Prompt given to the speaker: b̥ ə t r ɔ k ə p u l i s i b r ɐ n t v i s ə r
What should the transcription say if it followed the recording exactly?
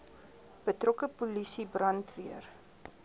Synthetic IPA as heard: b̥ ə t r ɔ k ə p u l i s i b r ɐ n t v i ə r